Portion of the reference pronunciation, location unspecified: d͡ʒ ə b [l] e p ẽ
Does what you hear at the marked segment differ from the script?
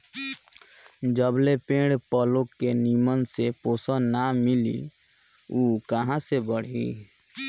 no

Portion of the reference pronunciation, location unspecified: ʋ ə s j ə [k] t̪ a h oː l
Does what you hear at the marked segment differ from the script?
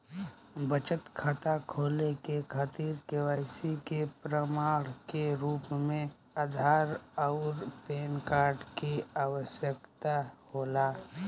no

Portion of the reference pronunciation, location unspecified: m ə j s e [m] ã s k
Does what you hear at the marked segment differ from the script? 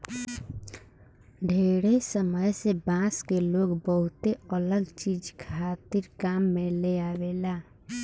yes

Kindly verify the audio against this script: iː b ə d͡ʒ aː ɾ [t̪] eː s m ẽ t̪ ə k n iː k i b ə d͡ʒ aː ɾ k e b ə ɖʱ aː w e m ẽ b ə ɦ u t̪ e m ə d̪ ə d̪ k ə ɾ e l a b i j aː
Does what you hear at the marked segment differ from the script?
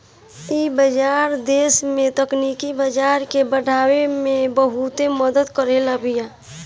yes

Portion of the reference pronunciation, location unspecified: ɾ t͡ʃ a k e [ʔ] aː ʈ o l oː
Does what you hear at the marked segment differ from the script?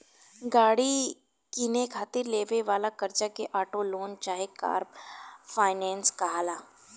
no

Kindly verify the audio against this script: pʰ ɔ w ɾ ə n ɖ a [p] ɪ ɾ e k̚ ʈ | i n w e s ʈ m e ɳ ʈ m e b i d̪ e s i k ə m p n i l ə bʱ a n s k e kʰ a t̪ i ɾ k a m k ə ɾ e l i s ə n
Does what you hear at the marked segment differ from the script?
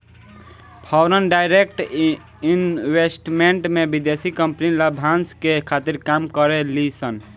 yes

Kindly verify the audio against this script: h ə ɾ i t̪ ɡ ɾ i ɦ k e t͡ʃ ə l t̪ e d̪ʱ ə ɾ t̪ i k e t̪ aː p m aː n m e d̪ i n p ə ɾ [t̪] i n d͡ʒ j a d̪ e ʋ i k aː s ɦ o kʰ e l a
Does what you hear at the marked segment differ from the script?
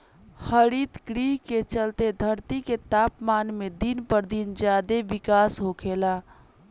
yes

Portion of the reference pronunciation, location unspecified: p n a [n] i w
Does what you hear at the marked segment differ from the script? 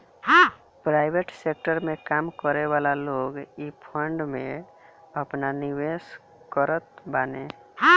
no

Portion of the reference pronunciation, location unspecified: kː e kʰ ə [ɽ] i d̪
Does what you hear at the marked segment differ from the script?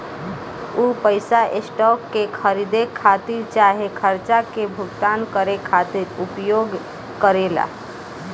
yes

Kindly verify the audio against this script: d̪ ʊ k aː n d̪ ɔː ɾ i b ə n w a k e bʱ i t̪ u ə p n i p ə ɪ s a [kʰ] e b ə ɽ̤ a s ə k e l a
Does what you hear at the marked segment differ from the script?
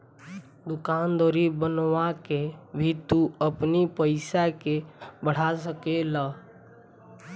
yes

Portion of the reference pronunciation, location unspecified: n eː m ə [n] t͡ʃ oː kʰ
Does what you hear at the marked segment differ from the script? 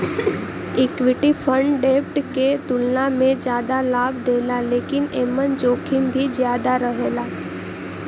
no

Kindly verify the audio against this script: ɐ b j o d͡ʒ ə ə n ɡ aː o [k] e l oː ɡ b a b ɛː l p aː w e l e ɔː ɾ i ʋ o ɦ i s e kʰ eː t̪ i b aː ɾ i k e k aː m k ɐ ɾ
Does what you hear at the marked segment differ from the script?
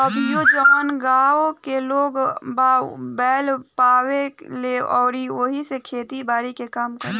no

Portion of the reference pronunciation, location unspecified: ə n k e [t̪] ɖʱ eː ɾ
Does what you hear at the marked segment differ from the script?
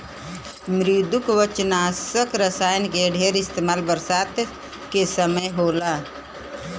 yes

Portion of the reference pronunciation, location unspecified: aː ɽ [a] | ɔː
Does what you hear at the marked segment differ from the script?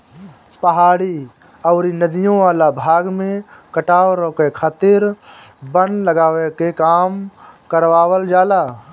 yes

